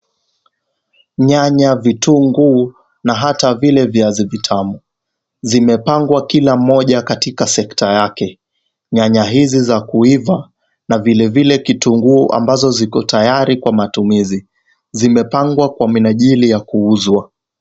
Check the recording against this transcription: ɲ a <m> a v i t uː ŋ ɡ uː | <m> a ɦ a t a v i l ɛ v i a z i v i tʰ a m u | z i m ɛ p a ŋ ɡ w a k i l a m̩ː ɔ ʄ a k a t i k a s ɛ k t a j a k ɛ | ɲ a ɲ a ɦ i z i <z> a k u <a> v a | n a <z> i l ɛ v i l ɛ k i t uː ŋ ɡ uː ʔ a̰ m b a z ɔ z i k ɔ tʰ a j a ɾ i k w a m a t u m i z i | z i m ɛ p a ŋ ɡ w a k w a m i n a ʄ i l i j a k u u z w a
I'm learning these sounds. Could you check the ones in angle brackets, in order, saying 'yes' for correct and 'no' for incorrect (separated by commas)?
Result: no, no, yes, no, no